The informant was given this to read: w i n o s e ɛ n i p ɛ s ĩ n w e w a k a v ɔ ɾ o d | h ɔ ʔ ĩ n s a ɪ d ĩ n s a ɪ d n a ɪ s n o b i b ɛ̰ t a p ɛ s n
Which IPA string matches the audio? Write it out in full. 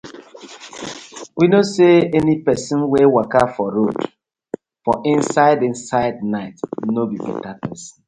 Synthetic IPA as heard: w i n o s e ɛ n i p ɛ s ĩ n w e w a k a f ɔ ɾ o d | f ɔ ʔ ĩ n s a ɪ d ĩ n s a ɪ d n a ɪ t n o b i b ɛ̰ t a p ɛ s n

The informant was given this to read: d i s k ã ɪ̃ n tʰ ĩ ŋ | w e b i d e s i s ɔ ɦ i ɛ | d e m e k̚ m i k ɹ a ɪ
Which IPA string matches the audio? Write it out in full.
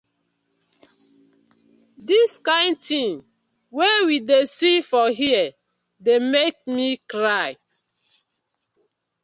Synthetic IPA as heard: d i s k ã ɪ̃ n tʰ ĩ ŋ | w e w i d e s i f ɔ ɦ i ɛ | d e m e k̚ m i k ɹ a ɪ

